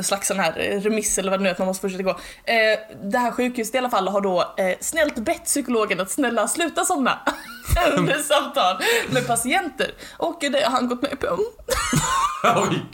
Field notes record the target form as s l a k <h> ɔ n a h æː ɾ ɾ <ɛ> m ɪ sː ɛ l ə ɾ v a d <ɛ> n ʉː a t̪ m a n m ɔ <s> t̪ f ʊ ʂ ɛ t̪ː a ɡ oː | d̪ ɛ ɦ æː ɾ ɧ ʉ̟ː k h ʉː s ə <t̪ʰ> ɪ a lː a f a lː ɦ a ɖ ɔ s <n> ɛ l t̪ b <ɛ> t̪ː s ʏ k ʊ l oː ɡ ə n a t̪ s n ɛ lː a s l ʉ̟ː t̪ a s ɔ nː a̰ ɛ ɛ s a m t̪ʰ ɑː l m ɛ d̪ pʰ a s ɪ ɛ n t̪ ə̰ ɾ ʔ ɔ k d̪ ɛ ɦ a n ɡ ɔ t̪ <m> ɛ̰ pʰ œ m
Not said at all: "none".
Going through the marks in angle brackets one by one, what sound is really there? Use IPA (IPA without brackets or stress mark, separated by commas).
s, ɛ, ɛ, s, t̪, n, ɛ, m